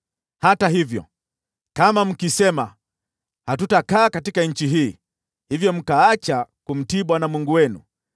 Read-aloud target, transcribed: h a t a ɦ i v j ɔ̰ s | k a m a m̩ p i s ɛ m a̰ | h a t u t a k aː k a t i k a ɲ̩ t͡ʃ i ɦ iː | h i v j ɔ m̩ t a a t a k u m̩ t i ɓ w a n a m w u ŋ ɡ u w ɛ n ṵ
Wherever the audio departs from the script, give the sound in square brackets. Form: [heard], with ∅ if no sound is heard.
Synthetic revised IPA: h a t a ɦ i v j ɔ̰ [∅] | k a m a m̩ [k] i s ɛ m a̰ | h a t u t a k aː k a t i k a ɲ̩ t͡ʃ i ɦ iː | h i v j ɔ m̩ [k] a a [t͡ʃ] a k u m̩ t i ɓ w a n a m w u ŋ ɡ u w ɛ n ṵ